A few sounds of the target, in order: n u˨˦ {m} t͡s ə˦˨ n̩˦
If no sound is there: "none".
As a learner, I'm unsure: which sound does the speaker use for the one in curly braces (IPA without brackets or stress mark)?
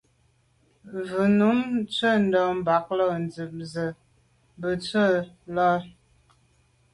m